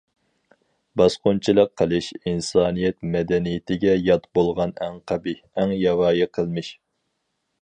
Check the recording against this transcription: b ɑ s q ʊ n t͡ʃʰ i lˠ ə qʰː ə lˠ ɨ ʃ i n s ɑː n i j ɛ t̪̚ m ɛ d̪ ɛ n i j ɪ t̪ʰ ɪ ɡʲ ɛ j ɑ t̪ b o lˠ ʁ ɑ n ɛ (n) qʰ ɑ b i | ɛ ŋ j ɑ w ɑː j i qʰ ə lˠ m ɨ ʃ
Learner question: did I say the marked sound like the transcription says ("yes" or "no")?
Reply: no